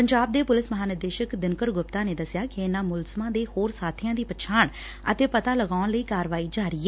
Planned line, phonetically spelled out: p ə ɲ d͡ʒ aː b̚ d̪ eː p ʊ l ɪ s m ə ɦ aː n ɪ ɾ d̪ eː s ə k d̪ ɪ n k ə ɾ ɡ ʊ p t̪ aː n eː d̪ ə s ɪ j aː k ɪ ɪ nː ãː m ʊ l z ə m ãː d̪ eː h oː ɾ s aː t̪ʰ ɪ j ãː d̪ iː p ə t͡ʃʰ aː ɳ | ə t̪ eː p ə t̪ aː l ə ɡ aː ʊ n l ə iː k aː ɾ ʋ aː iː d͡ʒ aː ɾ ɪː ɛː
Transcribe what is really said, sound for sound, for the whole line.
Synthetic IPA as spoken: p ə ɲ d͡ʒ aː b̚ d̪ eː p ʊ l ɪ s m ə ɦ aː n ɪ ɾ d̪ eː ʃ ə k d̪ ɪ n k ə ɾ ɡ ʊ p t̪ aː n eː d̪ ə s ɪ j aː k ɪ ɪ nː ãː m ʊ l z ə m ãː d̪ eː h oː ɾ s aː t̪ʰ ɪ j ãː d̪ iː p ə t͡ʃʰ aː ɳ | ə t̪ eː p ə t̪ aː l ə ɡ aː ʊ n l ə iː k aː ɾ ʋ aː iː d͡ʒ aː ɾ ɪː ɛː